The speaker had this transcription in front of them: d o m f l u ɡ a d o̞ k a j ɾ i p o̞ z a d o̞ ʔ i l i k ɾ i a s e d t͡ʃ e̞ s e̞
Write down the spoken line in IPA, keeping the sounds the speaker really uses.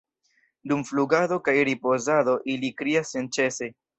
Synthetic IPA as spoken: d u m f l u ɡ a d o̞ k a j ɾ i p o̞ z a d o̞ ʔ i l i k ɾ i a s e n t͡ʃ e̞ s e̞